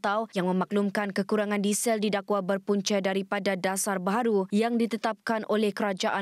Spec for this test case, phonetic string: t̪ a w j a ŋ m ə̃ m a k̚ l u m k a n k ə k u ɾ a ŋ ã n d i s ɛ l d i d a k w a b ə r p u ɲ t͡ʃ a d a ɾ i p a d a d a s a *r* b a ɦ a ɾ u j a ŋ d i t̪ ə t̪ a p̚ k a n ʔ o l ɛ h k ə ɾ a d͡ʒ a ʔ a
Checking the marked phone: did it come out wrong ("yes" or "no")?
no